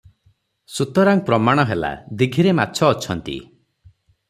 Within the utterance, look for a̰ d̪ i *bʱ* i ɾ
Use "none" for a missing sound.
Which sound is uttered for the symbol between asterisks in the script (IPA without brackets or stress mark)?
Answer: ɡʱ